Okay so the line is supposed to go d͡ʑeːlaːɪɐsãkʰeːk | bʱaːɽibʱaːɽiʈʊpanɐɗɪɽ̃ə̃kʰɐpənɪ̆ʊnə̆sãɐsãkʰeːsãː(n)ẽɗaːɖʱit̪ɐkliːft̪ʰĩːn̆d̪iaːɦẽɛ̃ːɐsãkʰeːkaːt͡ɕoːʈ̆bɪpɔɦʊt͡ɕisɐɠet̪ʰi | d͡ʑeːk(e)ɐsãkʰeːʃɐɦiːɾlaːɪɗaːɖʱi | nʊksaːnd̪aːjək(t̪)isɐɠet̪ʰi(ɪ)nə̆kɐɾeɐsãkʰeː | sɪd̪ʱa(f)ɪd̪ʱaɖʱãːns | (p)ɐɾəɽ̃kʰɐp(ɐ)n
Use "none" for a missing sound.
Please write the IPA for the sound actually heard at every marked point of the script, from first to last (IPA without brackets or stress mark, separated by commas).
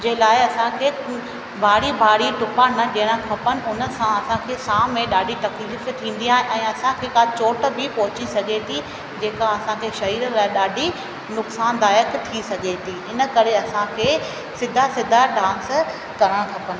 m, a, t̪ʰ, ɪ, s, k, ə